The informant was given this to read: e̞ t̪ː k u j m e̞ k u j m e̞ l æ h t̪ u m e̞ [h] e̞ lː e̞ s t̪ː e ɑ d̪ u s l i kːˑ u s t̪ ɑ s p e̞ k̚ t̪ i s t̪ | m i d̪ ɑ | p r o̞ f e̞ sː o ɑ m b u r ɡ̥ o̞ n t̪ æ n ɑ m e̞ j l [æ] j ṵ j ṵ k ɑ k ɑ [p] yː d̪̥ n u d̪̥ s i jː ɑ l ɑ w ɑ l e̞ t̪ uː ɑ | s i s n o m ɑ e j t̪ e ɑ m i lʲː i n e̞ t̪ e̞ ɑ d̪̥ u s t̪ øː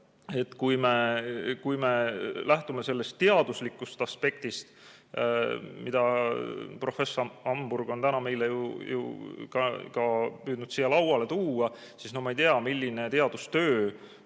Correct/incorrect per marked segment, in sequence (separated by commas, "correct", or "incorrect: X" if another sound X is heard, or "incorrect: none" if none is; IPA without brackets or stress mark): incorrect: s, incorrect: e, correct